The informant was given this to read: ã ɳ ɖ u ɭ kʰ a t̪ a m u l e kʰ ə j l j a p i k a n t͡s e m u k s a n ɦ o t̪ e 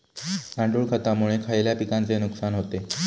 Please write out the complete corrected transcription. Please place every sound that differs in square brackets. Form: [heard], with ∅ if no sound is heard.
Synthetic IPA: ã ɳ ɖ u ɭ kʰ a t̪ a m u [ɭ] e kʰ [a] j l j a p i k a n t͡s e [n] u k s a n ɦ o t̪ e